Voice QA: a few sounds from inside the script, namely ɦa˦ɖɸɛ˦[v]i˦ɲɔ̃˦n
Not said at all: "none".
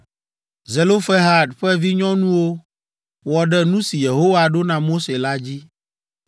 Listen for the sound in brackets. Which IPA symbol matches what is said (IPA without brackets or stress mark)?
v